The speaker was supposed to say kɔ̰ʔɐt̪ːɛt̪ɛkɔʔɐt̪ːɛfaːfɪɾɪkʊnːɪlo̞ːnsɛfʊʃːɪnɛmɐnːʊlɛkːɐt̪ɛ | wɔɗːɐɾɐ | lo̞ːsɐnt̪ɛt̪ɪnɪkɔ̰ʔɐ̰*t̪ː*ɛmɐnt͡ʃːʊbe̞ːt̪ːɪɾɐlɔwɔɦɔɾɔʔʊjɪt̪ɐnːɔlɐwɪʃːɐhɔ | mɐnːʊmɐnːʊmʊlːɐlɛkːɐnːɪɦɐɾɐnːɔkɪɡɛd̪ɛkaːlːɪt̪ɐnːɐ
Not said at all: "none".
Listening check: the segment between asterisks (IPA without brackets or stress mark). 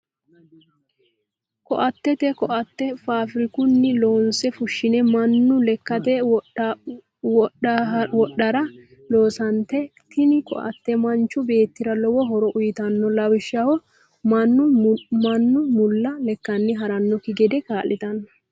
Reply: t̪ː